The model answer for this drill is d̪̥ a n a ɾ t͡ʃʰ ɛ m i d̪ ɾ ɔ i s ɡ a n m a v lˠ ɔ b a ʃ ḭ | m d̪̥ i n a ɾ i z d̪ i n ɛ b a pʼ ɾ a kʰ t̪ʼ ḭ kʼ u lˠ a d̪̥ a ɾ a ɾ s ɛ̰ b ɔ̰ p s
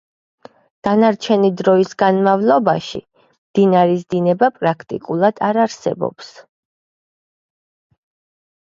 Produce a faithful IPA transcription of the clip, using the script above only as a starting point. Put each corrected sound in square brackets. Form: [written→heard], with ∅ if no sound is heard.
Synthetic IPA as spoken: d̪̥ a n a ɾ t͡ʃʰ ɛ [m→n] i d̪ ɾ ɔ i s ɡ a n m a v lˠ ɔ b a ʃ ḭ | m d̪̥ i n a ɾ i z d̪ i n ɛ b a pʼ ɾ a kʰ t̪ʼ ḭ kʼ u lˠ a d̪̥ a ɾ a ɾ s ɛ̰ b ɔ̰ p s